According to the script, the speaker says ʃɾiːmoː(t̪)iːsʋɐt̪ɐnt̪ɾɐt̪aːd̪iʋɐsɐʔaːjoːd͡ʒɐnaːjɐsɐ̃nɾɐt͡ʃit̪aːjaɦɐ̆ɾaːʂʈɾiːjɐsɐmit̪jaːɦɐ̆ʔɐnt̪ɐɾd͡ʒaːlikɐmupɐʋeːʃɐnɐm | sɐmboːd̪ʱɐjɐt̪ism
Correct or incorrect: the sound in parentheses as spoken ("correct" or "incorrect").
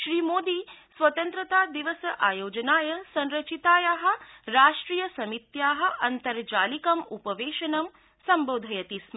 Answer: incorrect